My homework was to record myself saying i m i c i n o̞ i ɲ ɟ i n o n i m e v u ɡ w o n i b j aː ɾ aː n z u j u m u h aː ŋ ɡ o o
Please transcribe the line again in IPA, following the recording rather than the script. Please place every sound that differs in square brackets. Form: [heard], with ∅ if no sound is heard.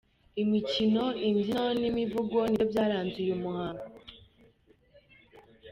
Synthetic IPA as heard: i m i c i n o̞ i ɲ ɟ i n o n i m [i] v u ɡ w o n i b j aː ɾ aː n z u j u m u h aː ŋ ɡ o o